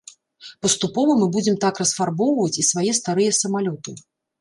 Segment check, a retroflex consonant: absent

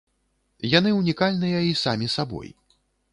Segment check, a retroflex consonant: absent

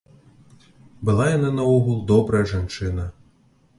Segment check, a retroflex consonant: present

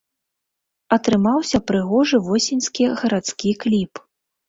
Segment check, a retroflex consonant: present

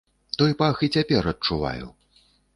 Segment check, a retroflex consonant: present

